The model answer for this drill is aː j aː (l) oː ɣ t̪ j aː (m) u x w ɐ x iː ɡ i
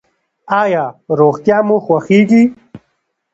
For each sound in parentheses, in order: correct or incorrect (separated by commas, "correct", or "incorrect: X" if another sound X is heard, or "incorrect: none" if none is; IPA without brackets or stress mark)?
incorrect: ɾ, correct